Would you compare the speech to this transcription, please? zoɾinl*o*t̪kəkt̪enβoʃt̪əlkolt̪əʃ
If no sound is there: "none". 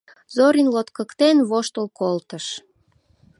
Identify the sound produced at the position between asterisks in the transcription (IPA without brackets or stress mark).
o